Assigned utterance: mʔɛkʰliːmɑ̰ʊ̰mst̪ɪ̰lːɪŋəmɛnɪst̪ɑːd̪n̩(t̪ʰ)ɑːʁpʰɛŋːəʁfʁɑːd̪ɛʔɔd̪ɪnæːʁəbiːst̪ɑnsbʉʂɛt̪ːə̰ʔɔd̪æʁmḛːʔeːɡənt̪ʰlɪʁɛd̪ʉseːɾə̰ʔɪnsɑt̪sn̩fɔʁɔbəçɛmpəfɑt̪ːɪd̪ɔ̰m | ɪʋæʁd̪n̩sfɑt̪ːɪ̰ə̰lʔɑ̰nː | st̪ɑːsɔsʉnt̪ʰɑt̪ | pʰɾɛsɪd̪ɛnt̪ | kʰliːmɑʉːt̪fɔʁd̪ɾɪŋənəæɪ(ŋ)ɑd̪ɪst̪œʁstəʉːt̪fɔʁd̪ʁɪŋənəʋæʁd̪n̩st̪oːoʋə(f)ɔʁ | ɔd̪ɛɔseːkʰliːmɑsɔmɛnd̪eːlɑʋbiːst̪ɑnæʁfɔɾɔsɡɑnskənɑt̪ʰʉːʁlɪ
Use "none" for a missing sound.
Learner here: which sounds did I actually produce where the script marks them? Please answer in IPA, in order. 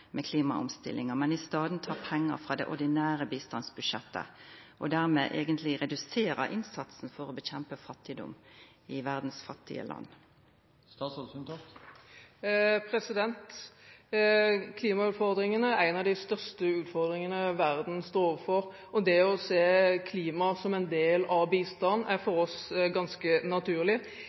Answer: t̪ʰ, n, f

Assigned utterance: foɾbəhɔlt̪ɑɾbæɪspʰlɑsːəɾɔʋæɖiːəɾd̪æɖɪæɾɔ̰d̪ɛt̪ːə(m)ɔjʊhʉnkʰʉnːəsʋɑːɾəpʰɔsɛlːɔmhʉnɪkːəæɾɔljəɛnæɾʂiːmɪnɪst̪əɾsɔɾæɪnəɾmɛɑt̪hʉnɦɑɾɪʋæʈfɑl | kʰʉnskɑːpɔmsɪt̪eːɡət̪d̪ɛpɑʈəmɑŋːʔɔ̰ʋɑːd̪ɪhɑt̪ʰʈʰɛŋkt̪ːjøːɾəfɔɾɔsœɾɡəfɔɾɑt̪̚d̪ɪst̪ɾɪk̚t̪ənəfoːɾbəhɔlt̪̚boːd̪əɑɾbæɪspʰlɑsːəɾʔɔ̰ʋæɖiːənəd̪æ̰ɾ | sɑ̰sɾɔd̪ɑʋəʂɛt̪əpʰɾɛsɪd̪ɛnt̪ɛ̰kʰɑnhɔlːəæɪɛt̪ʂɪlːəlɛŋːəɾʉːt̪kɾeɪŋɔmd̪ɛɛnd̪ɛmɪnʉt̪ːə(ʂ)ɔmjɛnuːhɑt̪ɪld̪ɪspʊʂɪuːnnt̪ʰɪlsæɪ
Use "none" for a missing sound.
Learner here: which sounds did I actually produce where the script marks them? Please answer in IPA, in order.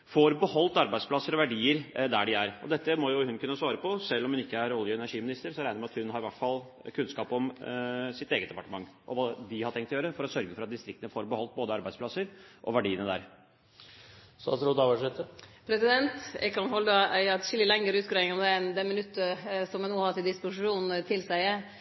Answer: m, s

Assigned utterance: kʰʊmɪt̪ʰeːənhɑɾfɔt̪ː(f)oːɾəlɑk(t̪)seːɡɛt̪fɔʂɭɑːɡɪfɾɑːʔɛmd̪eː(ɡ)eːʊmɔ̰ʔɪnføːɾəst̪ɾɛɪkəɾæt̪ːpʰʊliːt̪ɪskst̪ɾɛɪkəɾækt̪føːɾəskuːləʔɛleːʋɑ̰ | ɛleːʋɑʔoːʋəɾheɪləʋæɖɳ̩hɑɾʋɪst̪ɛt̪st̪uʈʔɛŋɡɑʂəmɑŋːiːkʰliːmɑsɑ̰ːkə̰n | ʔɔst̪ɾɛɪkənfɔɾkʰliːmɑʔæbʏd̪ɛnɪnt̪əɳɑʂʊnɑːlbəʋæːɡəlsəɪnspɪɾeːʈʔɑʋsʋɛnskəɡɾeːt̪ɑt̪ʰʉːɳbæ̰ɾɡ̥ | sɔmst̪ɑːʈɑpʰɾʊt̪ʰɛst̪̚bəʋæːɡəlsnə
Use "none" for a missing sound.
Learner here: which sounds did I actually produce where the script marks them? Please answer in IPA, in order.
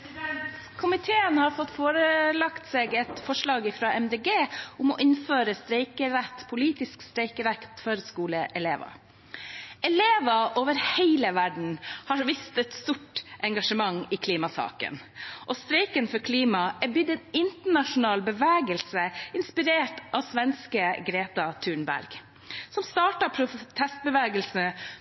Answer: f, t̪, ɡ

